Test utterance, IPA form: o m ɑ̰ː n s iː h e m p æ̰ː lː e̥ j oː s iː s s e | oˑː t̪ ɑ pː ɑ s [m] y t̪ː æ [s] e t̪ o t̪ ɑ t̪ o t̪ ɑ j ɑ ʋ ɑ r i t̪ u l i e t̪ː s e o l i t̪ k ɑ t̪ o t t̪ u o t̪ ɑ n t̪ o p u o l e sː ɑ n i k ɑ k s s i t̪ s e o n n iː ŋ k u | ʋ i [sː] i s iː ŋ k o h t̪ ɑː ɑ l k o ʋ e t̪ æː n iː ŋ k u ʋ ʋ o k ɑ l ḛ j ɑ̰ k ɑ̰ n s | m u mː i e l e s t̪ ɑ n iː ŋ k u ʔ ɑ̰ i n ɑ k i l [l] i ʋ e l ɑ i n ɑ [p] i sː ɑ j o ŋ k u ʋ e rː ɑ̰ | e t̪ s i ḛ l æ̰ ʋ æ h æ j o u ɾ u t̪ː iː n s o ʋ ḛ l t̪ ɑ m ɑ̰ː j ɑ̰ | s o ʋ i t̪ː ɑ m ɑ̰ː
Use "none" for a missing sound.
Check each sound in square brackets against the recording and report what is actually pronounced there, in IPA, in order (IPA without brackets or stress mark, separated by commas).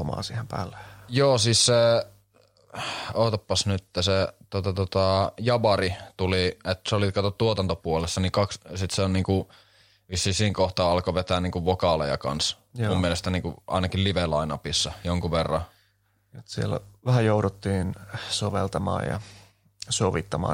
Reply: n, s, sː, l, p